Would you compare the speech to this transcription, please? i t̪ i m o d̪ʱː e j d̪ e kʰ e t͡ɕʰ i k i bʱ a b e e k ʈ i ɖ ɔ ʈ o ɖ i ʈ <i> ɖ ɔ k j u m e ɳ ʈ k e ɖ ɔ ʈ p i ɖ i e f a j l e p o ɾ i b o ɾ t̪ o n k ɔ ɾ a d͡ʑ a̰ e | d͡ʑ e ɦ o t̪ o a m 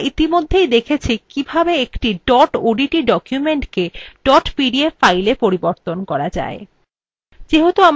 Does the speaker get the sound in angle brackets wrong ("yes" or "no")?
no